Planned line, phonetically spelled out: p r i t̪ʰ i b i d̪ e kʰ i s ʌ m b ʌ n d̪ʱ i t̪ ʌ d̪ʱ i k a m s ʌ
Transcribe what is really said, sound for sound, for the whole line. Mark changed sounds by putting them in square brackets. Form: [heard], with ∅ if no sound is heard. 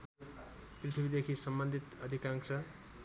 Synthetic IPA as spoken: p r i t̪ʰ i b i d̪ e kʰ i s ʌ m b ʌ n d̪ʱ i t̪ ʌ d̪ʱ i k a [ŋ] s ʌ